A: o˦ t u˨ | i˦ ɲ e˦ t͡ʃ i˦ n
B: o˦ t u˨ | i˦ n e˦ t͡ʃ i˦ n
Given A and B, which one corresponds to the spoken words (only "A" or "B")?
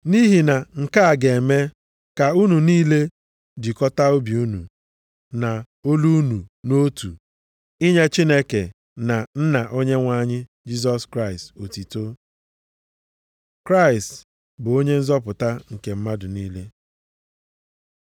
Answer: A